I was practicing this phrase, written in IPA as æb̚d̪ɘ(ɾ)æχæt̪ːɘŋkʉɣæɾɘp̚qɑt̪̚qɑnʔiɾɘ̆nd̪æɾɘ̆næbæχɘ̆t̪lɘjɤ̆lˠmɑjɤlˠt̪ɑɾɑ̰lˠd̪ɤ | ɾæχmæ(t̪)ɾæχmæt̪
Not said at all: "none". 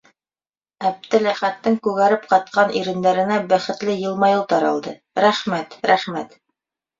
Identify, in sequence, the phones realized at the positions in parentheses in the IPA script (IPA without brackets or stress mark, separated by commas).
l, t̪